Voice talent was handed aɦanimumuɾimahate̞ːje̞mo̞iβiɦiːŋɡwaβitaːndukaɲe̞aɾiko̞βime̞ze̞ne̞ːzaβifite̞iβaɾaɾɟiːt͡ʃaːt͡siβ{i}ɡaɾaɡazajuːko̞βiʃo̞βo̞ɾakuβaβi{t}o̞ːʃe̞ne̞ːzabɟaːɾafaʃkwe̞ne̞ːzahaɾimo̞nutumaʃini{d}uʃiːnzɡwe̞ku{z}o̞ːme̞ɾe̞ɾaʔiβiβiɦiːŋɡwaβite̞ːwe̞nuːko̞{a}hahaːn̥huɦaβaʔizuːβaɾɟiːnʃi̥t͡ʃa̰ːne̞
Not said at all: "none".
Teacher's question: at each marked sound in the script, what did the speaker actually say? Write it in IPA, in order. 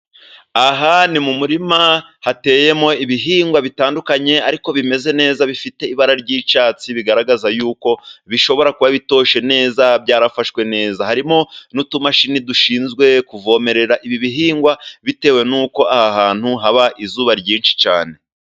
i, t, d, v, a

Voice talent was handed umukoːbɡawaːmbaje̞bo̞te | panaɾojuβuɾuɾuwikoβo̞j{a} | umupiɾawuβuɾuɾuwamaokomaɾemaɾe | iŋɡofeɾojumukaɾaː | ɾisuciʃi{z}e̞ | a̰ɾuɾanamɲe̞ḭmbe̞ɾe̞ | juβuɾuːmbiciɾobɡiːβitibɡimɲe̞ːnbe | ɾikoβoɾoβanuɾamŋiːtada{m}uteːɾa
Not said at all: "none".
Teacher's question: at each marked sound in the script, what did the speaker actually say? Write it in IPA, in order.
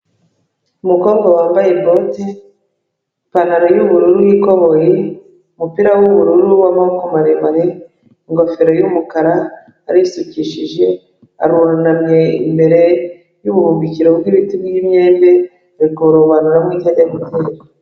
e, ʒ, m

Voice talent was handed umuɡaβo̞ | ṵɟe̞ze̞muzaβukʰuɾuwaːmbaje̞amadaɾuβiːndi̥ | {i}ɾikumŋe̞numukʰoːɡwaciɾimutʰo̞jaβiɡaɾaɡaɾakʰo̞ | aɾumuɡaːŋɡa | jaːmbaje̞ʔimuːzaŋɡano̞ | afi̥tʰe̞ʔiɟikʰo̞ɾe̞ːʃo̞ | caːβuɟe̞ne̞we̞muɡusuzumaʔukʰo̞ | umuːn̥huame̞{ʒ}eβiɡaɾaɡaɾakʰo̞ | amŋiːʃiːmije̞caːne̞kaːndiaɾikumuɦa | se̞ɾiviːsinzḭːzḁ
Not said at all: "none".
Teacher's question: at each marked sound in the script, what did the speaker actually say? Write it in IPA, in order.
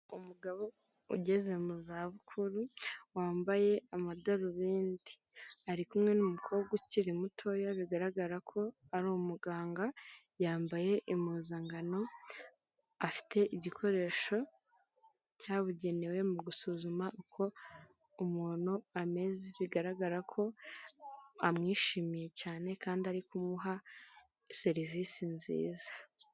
a, z

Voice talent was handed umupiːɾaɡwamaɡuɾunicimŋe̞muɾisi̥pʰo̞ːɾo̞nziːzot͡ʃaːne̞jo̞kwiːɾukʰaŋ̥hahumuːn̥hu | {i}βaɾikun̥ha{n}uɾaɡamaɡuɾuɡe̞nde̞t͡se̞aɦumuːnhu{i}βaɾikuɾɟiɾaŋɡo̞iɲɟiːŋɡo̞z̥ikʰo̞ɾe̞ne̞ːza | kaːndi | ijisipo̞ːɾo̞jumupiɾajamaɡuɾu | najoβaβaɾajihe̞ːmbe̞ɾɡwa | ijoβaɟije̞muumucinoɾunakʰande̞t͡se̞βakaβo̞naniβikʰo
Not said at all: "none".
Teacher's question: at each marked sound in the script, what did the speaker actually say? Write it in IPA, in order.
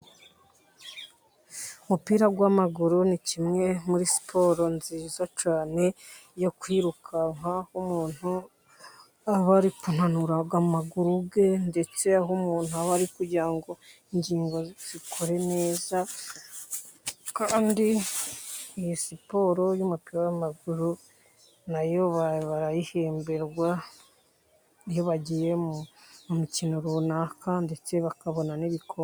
a, n, a

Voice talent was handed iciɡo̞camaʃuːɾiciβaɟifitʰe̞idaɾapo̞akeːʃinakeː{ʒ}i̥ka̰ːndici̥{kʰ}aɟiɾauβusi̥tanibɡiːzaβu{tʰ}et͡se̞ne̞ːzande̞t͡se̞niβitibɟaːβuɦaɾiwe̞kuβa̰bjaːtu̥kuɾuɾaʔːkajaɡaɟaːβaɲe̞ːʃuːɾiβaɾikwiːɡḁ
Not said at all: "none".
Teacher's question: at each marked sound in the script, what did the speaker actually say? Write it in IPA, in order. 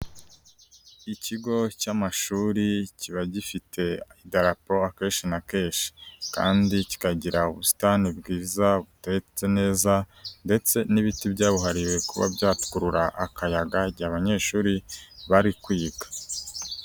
ʃ, k, t

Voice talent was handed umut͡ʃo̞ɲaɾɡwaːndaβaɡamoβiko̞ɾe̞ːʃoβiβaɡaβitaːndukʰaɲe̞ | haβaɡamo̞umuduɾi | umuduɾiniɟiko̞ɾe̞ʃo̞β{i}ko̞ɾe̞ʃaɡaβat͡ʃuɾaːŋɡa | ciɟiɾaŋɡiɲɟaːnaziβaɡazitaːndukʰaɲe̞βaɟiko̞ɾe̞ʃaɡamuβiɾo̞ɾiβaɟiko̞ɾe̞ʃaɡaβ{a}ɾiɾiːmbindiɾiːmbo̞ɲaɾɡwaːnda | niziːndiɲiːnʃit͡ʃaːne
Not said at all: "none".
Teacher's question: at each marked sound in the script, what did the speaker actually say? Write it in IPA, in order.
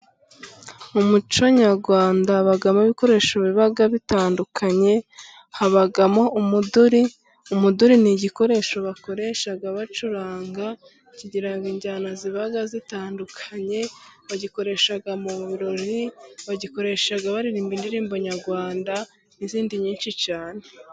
a, a

